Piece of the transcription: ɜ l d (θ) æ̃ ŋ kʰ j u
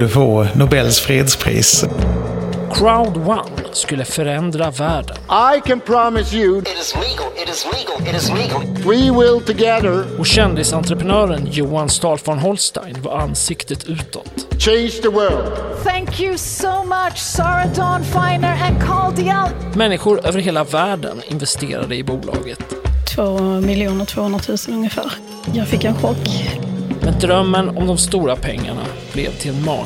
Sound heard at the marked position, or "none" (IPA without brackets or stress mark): θ